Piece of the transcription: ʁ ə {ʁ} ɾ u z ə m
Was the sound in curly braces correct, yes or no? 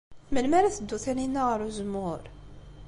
no